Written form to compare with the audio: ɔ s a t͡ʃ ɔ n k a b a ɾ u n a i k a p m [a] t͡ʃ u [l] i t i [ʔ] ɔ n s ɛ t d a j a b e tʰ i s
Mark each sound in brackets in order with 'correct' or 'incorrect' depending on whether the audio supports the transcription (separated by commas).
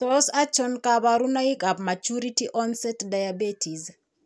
correct, incorrect, correct